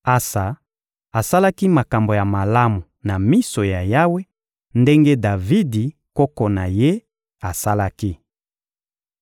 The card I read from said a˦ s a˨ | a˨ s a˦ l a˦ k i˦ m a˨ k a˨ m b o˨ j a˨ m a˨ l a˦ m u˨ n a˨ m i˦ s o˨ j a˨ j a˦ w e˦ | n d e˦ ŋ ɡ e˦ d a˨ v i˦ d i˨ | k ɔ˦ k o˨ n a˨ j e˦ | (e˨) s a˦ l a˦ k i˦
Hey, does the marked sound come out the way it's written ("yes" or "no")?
no